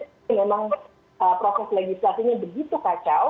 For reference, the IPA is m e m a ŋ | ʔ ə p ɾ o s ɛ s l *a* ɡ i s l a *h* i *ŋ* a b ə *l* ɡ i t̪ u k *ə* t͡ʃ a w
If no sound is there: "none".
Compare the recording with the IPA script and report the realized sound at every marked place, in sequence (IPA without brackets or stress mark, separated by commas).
e, s, ɲ, none, a